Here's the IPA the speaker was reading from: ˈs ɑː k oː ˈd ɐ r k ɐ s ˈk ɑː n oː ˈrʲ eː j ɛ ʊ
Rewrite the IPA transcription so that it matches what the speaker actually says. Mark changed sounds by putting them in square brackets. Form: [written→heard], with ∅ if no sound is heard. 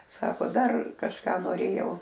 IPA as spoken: ˈs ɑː k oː ˈd ɐ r k ɐ [s→ʃ] ˈk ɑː n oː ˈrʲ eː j ɛ ʊ